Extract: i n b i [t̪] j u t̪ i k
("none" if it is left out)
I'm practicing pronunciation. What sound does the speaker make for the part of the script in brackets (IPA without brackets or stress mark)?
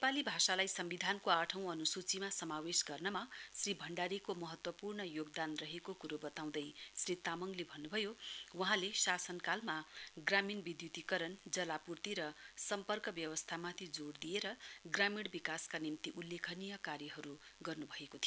d̪